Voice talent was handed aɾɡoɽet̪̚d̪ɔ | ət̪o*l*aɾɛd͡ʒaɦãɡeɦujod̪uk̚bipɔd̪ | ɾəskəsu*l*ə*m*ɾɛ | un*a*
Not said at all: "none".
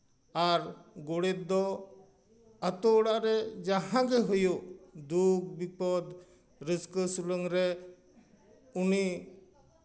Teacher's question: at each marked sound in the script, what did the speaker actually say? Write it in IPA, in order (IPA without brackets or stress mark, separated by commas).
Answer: ɽ, l, ŋ, i